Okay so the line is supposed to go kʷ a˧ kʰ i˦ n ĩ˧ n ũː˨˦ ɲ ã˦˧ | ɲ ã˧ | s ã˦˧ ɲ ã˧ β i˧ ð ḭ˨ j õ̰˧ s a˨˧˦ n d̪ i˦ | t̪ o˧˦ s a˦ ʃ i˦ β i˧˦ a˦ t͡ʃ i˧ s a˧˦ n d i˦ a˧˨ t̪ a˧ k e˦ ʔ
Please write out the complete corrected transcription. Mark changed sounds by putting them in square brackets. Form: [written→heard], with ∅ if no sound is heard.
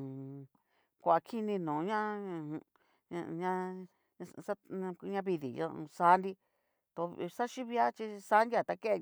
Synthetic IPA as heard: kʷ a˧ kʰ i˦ n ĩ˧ n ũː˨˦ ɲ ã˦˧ | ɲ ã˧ | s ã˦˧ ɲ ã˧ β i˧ ð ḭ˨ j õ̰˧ s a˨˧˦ n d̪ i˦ | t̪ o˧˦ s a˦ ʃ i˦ β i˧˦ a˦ t͡ʃ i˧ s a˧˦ n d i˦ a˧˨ t̪ a˧ k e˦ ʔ